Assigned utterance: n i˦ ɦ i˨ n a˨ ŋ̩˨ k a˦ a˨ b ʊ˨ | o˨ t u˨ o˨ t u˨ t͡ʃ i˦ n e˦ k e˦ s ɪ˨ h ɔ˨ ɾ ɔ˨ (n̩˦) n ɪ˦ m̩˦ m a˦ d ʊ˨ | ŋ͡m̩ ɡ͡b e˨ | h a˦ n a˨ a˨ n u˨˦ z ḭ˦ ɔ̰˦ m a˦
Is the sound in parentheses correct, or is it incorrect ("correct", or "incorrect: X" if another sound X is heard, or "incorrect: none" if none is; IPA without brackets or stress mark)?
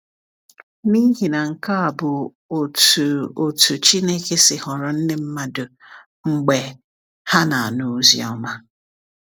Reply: correct